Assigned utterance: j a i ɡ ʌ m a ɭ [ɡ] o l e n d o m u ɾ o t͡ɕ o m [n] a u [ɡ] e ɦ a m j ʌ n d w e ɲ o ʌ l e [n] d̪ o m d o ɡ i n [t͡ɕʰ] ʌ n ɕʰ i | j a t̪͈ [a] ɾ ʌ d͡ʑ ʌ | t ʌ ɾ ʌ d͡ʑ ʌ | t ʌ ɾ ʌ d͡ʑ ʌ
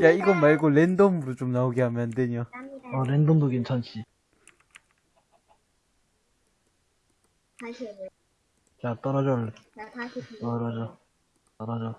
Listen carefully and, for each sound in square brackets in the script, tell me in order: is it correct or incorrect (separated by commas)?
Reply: correct, correct, correct, correct, correct, incorrect